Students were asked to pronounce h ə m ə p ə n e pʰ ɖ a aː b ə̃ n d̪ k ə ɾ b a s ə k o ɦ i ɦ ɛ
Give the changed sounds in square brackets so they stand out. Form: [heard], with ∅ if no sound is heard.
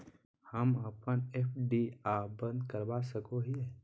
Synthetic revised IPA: h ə m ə p ə n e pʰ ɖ [i] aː b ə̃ n d̪ k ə ɾ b a s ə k o ɦ i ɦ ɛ